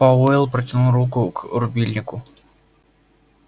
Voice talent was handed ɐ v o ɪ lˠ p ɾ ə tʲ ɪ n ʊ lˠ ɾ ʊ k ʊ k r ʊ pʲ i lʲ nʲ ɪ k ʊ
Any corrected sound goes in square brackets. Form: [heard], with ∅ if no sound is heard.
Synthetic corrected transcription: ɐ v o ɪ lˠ p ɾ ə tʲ ɪ n [u] lˠ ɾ [u] k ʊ k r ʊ [bʲ] i lʲ nʲ ɪ k ʊ